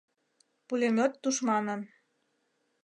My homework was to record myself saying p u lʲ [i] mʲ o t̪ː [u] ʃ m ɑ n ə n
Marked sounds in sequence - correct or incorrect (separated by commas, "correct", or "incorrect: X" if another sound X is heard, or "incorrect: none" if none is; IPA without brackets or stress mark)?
incorrect: e, correct